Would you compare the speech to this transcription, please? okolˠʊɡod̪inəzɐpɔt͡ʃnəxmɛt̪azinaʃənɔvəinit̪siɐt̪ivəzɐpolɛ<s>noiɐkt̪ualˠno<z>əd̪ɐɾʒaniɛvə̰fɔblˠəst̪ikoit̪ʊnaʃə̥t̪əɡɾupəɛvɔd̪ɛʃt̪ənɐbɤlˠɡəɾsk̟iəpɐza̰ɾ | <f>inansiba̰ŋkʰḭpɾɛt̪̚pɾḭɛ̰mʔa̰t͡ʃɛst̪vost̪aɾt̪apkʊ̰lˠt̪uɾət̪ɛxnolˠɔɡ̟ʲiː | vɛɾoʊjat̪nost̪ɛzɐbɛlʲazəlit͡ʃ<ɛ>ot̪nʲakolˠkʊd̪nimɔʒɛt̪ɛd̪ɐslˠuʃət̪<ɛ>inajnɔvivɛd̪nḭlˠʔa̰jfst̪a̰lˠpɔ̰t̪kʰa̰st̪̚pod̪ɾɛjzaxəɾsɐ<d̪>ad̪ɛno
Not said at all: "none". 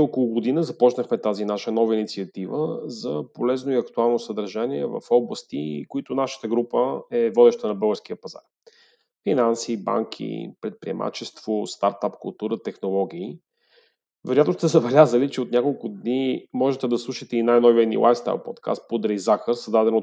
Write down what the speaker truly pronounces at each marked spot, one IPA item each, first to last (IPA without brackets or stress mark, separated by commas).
z, s, f, ɛ, ɛ, d̪